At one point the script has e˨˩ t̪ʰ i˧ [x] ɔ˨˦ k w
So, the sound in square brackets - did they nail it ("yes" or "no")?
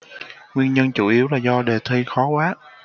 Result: yes